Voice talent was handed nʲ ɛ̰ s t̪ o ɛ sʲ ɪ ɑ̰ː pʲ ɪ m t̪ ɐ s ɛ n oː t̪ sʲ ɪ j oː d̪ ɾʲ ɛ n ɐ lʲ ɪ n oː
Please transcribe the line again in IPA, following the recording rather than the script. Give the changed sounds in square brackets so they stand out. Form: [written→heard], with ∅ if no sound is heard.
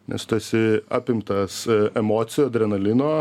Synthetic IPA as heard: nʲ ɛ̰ s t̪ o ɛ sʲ ɪ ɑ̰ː pʲ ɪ m t̪ ɐ s ɛ [n→m] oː t̪ sʲ ɪ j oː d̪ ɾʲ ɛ n ɐ lʲ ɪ n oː